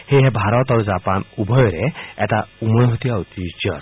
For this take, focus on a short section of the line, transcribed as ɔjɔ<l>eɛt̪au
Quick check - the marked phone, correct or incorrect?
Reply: incorrect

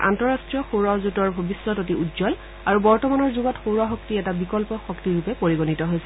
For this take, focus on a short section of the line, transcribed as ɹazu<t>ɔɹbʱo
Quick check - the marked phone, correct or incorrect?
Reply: correct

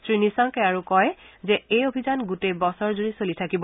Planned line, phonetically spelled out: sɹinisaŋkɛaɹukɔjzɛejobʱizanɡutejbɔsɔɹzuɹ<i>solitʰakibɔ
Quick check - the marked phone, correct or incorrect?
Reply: correct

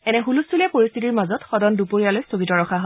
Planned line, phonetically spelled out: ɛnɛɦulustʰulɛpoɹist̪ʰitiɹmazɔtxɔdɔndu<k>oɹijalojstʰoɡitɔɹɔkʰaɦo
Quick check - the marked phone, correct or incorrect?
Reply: incorrect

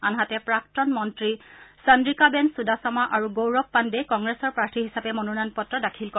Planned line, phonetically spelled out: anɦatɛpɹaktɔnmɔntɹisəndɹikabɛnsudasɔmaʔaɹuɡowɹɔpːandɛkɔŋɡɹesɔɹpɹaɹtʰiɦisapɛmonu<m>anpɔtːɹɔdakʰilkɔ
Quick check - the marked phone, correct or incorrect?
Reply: incorrect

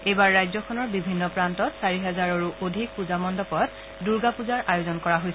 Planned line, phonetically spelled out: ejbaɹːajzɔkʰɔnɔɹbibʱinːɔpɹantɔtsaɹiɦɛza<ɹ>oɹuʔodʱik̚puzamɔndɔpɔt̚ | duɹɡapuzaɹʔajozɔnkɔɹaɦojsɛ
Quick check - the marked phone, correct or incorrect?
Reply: correct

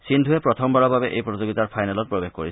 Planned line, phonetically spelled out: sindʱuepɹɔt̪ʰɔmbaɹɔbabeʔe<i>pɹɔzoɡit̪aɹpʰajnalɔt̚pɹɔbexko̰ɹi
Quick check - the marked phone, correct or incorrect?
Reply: incorrect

